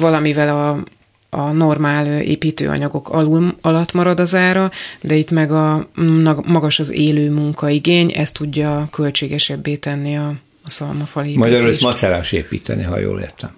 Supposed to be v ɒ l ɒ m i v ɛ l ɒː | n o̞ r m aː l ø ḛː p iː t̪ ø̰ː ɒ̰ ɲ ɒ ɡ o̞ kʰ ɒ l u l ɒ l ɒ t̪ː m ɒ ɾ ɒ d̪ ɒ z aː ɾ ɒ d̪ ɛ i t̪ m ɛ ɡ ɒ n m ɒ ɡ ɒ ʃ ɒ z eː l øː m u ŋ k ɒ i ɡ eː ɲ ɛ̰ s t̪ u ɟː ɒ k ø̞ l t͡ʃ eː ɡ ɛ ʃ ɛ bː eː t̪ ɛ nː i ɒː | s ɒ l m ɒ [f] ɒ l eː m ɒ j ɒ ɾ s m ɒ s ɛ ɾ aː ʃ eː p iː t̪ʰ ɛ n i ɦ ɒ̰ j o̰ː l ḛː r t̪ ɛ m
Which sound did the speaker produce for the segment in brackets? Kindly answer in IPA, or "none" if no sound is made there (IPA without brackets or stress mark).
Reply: f